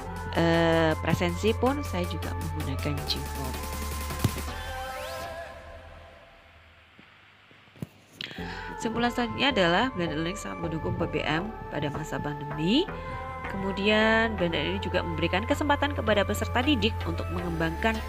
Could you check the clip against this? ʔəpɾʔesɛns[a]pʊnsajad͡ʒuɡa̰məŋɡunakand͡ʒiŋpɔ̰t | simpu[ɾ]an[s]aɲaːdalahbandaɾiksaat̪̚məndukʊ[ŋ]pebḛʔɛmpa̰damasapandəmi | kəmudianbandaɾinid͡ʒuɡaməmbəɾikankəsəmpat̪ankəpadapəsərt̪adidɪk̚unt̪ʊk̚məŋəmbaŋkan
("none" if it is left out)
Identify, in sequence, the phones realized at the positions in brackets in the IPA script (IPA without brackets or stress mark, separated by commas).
i, l, s, ŋ